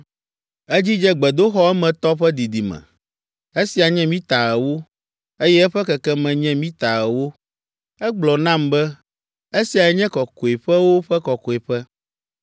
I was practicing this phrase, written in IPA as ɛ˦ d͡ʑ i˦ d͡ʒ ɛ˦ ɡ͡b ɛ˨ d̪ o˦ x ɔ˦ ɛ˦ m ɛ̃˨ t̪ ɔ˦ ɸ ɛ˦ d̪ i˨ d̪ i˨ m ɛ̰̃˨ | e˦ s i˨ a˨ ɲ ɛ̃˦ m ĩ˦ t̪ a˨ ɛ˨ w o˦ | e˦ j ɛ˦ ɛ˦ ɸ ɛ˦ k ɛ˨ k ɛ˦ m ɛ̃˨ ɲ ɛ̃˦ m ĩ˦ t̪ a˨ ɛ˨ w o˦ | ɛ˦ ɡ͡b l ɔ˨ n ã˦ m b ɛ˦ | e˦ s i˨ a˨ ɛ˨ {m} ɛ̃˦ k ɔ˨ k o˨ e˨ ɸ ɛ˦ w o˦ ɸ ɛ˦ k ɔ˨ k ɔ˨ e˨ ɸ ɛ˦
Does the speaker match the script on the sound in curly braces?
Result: no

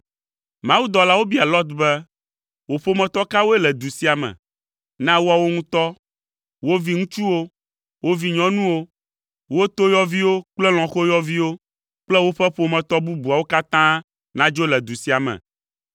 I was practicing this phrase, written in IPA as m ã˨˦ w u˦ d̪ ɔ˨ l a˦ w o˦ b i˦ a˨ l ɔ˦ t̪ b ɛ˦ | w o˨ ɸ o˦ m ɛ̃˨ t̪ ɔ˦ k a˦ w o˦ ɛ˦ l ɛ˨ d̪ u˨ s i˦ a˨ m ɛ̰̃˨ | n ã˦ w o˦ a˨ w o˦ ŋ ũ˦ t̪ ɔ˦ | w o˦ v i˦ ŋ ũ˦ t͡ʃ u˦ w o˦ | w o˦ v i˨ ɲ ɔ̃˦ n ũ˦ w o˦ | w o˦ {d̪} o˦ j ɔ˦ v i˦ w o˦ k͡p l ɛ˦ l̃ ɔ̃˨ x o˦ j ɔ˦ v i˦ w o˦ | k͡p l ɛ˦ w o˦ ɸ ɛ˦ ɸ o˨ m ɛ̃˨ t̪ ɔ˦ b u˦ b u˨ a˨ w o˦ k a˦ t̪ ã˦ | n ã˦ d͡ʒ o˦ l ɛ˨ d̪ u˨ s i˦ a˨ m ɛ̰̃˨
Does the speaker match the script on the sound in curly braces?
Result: no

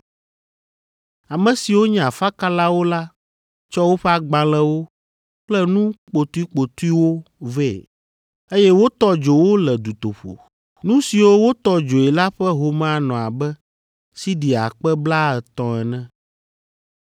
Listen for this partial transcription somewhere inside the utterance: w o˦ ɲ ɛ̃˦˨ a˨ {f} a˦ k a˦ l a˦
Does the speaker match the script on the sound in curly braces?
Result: yes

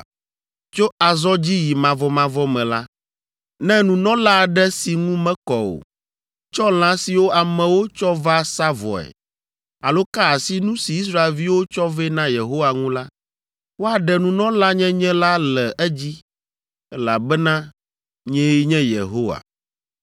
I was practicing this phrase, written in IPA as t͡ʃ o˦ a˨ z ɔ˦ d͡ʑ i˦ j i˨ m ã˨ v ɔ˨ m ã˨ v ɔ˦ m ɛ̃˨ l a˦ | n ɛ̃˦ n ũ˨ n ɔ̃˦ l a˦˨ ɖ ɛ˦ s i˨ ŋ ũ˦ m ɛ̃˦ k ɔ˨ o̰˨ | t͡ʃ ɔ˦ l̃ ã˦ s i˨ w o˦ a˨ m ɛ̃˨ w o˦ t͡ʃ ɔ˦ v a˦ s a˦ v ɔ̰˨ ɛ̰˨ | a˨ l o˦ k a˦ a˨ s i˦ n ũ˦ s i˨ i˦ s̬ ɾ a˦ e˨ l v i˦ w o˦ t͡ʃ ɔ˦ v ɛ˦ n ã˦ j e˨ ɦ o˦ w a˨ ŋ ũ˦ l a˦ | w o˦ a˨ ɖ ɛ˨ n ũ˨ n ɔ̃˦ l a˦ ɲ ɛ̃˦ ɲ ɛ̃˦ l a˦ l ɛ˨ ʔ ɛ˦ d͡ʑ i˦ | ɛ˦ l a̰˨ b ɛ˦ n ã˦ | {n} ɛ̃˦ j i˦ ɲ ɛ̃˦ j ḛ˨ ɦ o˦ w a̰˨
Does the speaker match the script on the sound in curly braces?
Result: no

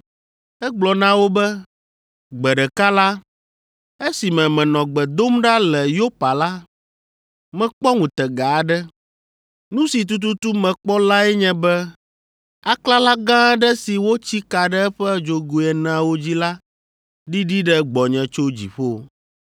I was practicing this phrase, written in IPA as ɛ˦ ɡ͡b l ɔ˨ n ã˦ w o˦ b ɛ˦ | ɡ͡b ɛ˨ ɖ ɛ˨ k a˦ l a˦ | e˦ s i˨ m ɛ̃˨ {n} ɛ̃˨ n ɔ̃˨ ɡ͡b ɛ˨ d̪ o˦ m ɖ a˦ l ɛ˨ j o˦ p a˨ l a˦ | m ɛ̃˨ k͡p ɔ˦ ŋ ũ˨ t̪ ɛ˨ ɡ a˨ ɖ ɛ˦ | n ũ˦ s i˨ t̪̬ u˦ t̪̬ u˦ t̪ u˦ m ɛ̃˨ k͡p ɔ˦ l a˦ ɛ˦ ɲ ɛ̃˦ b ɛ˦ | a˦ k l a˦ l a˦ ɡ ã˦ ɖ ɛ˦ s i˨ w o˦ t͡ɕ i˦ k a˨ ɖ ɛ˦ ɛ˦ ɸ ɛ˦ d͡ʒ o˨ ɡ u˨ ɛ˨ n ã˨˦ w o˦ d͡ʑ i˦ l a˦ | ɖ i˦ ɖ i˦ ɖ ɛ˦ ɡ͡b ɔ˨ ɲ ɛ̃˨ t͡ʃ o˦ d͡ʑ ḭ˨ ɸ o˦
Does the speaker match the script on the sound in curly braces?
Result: no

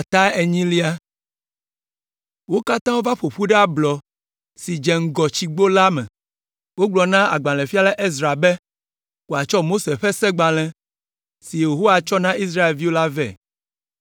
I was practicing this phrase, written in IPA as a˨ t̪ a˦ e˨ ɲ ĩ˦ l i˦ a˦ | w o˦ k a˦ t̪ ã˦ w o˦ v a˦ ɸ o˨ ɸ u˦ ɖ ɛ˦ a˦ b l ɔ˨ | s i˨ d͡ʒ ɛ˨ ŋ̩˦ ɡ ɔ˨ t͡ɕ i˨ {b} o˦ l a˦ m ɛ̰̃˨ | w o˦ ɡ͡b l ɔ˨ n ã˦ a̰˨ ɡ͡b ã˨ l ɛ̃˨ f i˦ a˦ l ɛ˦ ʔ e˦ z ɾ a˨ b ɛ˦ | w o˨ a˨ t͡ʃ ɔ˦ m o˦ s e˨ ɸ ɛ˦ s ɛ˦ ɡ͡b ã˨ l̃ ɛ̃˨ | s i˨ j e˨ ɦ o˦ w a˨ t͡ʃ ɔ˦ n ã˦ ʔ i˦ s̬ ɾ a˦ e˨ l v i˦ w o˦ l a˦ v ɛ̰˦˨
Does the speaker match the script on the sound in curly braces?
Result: no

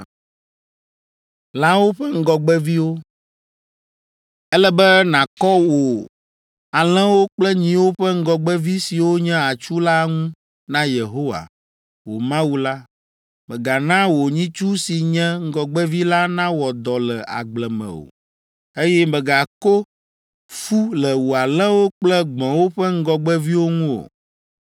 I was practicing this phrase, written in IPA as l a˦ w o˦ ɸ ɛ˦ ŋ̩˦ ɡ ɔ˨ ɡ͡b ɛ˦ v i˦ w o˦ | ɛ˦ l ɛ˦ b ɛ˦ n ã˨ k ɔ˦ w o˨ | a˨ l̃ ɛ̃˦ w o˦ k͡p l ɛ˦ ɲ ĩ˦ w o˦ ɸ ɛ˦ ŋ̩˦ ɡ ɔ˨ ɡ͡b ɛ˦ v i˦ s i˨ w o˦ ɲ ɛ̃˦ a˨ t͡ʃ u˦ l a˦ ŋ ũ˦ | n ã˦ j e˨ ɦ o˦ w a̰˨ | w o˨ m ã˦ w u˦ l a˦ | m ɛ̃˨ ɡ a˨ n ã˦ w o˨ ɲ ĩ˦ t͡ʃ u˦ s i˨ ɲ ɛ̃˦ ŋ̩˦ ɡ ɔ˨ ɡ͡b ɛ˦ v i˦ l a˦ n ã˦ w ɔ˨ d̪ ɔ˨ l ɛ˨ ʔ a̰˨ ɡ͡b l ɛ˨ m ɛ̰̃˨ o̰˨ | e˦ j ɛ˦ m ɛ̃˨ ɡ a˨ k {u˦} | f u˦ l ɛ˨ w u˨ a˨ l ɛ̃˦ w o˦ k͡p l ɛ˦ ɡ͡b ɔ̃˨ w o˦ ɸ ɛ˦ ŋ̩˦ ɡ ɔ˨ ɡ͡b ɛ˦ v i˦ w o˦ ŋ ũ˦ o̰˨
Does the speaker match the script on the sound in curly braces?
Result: no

